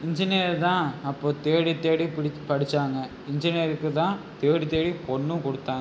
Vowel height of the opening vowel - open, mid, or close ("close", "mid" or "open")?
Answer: close